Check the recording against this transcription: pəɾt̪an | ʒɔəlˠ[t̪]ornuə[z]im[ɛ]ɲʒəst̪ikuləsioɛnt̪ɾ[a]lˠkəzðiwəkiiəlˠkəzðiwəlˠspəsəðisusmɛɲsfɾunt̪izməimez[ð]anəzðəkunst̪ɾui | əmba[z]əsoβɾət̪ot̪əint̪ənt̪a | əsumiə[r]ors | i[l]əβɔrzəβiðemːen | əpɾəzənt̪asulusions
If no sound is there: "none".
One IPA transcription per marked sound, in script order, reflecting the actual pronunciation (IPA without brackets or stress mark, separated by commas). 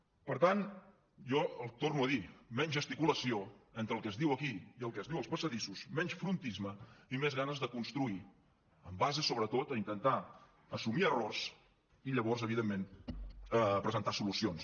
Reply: t̪, ð, ɛ, ə, ɣ, z, r, ʎ